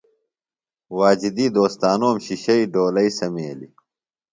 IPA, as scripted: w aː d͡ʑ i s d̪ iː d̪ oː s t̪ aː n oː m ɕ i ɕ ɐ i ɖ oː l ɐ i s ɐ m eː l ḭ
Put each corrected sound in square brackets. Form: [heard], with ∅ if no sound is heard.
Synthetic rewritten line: w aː d͡ʑ i [∅] d̪ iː d̪ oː s t̪ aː n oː m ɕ i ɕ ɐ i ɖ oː l ɐ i s ɐ m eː l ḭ